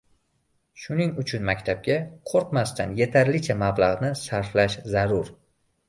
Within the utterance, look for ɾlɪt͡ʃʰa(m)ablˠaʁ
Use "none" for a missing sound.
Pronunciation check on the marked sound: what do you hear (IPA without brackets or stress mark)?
m